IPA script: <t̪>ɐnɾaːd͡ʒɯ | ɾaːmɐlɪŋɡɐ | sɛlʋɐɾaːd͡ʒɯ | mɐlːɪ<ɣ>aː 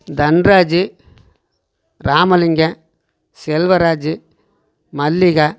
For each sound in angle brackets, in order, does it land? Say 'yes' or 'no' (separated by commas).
no, yes